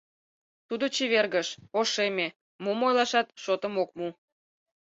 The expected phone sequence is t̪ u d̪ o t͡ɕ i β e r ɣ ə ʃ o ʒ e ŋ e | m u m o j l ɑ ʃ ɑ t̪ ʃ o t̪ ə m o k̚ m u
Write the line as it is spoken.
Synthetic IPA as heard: t̪ u d̪ o t͡ɕ i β e r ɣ ə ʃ o ʃ e m e | m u m o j l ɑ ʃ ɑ t̪ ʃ o t̪ ə m o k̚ m u